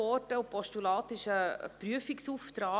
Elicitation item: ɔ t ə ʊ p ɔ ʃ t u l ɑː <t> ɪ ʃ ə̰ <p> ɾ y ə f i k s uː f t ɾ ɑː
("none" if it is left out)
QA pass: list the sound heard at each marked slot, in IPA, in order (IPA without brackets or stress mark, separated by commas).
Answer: t, p